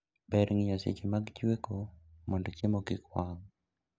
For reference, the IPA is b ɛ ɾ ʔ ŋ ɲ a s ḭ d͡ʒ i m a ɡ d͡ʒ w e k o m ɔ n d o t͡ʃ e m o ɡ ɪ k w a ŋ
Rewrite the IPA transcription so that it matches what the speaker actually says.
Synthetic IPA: b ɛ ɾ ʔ ŋ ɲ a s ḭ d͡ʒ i m a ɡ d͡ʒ w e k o m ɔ n d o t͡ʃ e m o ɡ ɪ k w a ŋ